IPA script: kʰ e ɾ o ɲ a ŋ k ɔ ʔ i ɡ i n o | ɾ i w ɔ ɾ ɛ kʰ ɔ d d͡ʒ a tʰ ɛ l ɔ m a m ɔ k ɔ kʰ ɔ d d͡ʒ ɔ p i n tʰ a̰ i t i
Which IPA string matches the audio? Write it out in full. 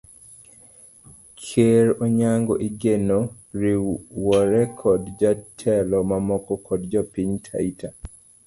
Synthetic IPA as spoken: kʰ e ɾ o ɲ a ŋ ɡ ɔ ʔ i ɡ e n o | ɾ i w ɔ ɾ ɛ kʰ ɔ d d͡ʒ a tʰ ɛ l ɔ m a m ɔ k ɔ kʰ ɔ d d͡ʒ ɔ p i ɲ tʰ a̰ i t a